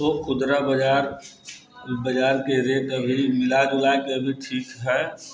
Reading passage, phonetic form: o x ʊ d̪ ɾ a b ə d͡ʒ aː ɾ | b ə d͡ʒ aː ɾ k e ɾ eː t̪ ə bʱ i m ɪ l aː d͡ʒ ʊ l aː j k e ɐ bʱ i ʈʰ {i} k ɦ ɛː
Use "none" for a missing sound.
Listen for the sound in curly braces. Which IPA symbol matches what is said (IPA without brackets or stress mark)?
iː